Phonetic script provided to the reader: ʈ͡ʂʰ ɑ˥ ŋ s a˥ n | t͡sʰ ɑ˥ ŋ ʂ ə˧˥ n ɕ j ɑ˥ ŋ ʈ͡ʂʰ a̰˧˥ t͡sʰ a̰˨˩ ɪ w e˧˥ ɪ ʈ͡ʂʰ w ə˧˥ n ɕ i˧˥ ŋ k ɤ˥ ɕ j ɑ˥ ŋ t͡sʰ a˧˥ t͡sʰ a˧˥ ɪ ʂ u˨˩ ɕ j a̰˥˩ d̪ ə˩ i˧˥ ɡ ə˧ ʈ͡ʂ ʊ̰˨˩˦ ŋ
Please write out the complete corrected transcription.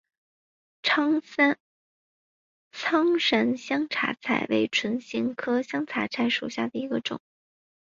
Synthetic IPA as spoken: ʈ͡ʂʰ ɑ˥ ŋ s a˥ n | t͡sʰ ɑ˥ ŋ ʂ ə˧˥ n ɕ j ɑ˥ ŋ ʈ͡ʂʰ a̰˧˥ t͡sʰ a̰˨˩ ɪ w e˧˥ ɪ ʈ͡ʂʰ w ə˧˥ n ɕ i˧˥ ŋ kʰ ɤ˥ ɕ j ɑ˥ ŋ t͡sʰ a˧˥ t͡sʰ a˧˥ ɪ ʂ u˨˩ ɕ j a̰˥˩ d̪ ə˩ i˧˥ ɡ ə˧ ʈ͡ʂ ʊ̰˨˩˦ ŋ